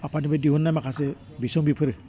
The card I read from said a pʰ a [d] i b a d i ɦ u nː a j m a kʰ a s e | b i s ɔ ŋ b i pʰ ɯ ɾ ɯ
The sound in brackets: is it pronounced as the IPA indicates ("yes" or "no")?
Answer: no